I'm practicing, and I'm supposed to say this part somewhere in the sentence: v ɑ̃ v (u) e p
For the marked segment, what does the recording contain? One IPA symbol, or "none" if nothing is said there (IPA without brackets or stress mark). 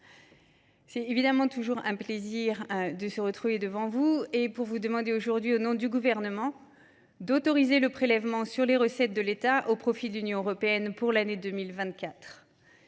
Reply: u